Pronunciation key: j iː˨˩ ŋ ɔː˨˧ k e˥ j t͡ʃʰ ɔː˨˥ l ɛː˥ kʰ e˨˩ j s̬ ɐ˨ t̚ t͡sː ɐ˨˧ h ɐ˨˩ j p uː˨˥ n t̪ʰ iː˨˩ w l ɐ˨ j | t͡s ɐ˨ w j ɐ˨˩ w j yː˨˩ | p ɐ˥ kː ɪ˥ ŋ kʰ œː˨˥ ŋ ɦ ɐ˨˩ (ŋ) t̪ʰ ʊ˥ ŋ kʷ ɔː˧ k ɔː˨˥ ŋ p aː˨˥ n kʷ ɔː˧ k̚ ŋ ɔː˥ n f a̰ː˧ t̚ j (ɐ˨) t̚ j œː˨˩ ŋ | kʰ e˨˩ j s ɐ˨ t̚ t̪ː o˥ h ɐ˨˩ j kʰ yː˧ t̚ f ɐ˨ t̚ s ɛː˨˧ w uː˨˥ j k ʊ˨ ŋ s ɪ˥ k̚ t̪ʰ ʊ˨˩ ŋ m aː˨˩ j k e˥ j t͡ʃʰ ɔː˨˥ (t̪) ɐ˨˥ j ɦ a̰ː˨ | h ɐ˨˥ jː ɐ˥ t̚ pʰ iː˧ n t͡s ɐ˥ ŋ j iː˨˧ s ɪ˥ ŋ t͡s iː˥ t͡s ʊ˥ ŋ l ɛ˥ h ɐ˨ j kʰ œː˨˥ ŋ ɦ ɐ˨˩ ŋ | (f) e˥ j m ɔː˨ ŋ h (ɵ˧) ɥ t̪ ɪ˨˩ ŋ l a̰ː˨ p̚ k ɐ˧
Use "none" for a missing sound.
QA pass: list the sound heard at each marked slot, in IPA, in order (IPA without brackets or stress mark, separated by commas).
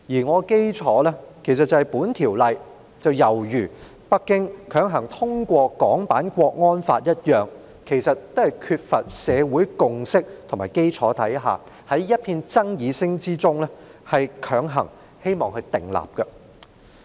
ŋ, ɐ˥, t̪ʰ, h, ɵ˧